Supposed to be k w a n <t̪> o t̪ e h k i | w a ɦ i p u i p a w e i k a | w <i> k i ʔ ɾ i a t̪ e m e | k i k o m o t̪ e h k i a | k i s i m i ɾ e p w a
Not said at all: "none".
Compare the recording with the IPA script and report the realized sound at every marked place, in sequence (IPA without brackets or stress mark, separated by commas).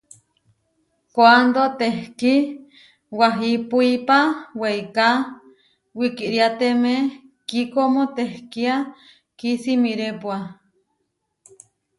d̪, i